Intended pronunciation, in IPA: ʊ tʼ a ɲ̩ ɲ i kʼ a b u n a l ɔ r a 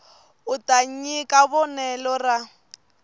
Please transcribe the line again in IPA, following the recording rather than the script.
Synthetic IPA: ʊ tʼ a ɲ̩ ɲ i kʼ a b ɔ n ɛ l ɔ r a